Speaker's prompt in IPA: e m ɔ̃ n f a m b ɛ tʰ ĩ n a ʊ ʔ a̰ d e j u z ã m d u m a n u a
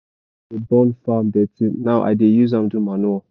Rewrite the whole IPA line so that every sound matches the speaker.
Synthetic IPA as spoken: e b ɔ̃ n f a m d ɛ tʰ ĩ n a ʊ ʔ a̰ d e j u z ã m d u m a n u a